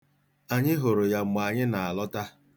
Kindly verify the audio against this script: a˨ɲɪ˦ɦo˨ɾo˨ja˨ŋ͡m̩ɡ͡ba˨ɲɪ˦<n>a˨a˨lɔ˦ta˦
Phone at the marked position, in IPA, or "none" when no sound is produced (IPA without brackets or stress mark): n